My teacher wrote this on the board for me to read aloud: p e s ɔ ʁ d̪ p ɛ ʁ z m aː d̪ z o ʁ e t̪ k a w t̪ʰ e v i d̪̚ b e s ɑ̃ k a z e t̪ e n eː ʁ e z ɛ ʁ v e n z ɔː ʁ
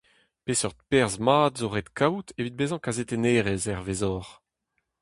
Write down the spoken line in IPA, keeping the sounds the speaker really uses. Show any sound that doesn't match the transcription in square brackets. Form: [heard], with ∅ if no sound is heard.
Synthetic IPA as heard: p e s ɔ ʁ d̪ p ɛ ʁ z m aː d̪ z o ʁ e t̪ k a w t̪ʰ e v i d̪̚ b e [z] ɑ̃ k a z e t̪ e n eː ʁ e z ɛ ʁ v e [∅] z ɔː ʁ

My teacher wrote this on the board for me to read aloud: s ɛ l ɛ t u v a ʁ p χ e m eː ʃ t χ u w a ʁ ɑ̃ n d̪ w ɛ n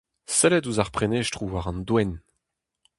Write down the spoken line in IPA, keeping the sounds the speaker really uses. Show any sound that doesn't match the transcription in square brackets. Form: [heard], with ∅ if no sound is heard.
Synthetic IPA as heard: s ɛ l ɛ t u [z] a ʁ p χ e [n] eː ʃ t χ u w a ʁ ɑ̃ n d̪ w ɛ n

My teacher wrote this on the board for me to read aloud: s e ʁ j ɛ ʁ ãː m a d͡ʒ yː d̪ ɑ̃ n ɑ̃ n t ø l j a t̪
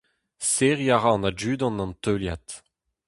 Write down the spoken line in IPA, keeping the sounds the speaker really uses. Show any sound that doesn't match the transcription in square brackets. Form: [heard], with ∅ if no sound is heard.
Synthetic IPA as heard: s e ʁ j [a] ʁ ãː [n] a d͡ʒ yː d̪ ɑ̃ n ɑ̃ n t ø l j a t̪

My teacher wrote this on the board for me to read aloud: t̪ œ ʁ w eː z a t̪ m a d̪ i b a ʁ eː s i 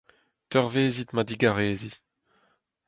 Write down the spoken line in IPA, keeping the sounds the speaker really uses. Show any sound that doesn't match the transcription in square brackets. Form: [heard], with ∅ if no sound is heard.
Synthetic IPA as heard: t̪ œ ʁ [v] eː z [i] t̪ m a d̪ i [ɡ] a ʁ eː [z] i

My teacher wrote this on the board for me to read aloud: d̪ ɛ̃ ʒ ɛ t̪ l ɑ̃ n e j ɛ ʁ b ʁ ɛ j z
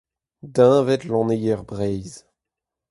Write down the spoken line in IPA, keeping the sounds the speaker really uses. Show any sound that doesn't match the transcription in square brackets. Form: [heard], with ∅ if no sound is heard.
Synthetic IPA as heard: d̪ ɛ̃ [v] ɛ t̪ l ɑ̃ n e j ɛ ʁ b ʁ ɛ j z

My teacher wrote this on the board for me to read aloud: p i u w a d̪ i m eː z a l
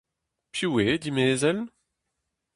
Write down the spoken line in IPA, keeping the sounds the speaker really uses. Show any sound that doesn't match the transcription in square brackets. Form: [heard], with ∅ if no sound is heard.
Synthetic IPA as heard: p [j] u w [e] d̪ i m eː z [ɛ] l

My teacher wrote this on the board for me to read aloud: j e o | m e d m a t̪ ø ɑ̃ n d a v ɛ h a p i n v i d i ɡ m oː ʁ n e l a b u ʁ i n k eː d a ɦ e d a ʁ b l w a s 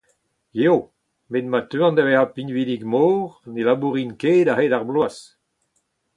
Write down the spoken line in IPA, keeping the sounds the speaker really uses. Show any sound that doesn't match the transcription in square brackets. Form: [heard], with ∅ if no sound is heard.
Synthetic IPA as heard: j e o | m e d m a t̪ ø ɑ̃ n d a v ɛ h a p i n v i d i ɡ m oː ʁ n e l a b u ʁ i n k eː d a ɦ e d a ʁ b l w a s

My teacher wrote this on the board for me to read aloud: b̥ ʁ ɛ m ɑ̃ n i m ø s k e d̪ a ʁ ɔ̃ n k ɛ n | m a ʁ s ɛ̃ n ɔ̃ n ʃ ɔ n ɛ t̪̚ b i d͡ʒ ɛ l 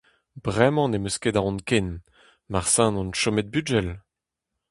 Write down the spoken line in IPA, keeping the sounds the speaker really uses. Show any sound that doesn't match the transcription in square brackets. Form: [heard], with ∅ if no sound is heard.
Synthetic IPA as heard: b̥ ʁ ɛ m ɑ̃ n [e] m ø s k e d̪ a ʁ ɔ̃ n k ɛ n | m a ʁ s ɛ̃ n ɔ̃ n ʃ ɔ [m] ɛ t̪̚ b [y] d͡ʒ ɛ l

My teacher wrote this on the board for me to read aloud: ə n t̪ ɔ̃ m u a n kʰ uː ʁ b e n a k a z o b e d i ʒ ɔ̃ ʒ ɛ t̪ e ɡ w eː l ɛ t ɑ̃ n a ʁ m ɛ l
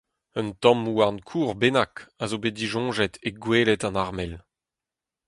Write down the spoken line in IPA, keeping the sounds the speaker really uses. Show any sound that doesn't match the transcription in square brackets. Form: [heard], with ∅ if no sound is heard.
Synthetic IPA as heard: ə n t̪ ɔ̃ m u a n kʰ uː ʁ b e n a k a z o b e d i ʒ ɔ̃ ʒ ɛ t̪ e ɡ w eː l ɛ t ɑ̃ n a ʁ m ɛ l

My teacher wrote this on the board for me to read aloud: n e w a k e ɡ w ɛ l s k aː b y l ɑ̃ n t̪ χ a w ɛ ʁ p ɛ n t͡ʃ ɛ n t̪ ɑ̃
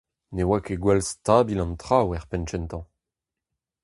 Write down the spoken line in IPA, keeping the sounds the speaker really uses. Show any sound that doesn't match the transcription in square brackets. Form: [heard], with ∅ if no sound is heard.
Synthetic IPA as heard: n e w a k e ɡ w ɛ l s [t] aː b [i] l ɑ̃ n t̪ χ a w ɛ ʁ p ɛ n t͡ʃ ɛ n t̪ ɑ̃

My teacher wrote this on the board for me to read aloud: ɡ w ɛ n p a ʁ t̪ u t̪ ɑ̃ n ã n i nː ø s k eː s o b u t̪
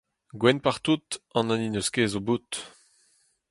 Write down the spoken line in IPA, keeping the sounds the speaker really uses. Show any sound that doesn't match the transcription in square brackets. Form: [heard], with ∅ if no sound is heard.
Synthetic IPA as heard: ɡ w ɛ n p a ʁ t̪ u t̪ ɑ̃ n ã n i [n] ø s k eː [z] o b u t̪

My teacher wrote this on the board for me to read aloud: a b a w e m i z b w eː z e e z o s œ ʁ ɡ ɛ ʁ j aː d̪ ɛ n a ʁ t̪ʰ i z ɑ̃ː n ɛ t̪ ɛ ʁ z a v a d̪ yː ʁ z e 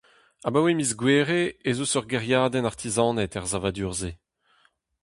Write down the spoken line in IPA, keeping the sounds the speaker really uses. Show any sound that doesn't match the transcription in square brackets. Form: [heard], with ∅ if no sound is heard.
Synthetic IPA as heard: a b a w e m i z [ɡ] w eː [ʁ] e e z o s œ ʁ ɡ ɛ ʁ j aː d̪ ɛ n a ʁ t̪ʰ i z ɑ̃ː n ɛ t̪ ɛ ʁ z a v a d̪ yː ʁ z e

